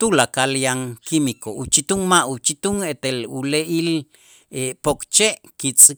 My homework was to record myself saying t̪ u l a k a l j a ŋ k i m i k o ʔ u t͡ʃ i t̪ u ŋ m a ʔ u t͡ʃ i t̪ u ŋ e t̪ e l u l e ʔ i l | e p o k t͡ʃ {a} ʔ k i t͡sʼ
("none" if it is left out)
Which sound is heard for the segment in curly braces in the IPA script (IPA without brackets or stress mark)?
e